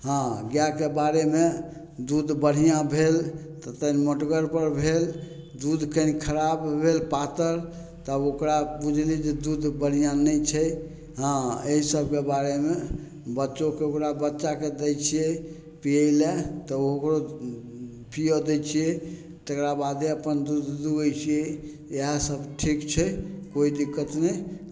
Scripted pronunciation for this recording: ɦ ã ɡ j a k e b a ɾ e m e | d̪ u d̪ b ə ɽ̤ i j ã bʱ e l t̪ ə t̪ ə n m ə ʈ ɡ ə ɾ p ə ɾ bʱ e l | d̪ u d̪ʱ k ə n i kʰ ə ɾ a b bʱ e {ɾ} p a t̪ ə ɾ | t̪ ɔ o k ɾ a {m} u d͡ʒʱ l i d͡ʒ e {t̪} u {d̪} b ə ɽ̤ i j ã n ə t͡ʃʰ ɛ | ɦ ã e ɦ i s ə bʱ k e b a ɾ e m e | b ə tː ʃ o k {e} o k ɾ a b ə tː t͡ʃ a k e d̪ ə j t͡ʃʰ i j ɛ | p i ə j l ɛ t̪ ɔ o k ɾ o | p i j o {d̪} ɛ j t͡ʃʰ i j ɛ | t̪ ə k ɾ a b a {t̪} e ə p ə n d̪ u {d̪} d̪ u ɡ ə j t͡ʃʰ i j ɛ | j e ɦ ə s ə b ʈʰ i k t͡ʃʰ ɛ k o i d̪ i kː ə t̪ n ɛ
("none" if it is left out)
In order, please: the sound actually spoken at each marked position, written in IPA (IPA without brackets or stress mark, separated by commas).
l, b, d̪, d̪, e, d̪, d̪, d̪